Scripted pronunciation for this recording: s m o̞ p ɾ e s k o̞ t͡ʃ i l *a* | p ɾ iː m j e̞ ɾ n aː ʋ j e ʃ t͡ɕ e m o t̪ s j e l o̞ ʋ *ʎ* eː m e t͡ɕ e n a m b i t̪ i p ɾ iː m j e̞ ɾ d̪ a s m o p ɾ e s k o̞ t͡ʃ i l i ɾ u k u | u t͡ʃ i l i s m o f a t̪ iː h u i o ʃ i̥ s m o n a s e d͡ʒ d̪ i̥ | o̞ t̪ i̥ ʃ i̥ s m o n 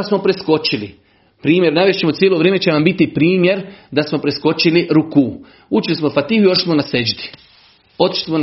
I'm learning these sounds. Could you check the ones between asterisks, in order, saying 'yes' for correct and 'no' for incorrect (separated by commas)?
no, no